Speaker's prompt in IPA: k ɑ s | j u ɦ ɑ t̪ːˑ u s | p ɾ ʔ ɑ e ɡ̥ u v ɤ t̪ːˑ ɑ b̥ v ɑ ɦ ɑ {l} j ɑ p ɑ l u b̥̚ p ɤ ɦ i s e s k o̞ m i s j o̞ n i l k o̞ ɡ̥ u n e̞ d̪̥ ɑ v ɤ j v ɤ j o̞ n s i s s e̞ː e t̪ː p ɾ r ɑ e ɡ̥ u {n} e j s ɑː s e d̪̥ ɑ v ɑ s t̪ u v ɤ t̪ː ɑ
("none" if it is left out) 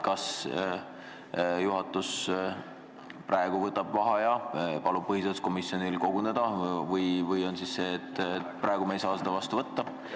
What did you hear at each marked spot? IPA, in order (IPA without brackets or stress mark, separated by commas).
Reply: none, m